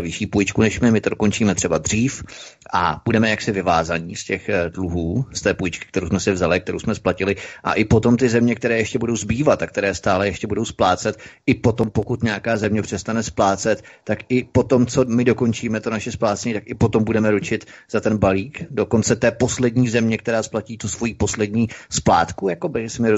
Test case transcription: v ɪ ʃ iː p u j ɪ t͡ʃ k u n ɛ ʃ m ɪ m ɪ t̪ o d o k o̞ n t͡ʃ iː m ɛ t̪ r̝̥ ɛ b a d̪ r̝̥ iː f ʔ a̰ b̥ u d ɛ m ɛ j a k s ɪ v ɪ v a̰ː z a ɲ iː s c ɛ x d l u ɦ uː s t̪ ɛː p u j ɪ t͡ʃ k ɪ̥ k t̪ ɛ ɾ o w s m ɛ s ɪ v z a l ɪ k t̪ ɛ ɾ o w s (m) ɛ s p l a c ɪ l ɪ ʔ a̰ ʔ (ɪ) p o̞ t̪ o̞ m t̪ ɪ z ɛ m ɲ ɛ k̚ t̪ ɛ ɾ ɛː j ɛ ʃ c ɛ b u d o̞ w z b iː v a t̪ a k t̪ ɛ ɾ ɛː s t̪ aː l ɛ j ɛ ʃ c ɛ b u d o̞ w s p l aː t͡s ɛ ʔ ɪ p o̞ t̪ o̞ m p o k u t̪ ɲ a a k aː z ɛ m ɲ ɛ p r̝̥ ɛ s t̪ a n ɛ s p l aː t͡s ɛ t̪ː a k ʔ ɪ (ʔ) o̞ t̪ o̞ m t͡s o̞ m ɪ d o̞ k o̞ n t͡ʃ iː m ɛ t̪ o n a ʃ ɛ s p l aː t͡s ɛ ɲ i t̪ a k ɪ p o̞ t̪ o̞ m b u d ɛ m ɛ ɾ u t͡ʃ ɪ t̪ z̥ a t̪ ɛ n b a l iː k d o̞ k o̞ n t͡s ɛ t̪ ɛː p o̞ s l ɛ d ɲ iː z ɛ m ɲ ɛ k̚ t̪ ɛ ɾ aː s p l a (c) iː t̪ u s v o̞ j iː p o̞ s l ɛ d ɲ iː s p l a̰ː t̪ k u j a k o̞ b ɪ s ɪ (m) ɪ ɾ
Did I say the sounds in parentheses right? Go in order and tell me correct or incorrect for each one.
correct, correct, incorrect: p, correct, correct

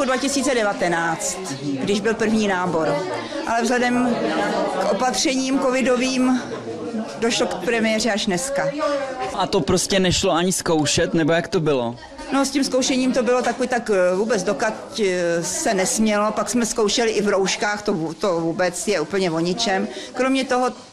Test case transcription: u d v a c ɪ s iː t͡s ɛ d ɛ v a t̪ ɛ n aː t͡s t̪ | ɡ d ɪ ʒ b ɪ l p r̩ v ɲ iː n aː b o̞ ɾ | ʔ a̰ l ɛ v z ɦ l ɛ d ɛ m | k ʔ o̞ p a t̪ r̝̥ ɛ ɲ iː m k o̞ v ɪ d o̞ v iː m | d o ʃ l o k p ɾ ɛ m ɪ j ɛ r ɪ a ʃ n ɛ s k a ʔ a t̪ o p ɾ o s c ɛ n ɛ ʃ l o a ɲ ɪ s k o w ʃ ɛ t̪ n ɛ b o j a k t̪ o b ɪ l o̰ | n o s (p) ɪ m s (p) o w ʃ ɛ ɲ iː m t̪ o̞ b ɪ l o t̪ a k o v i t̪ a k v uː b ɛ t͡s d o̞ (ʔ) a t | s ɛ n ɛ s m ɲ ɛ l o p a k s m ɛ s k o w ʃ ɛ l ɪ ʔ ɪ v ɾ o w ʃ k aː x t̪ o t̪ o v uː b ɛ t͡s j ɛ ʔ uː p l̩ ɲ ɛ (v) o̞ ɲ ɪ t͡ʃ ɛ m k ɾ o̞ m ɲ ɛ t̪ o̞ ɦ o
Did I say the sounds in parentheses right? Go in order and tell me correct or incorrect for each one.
incorrect: c, incorrect: k, incorrect: k, correct

